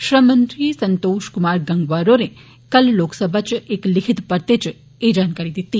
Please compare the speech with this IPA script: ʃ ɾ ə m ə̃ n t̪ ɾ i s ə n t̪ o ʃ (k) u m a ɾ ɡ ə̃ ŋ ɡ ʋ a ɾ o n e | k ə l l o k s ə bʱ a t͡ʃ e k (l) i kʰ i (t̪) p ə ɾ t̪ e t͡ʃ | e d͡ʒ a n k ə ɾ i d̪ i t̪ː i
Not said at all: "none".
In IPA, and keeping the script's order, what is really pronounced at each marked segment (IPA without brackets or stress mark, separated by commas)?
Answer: k, l, t̪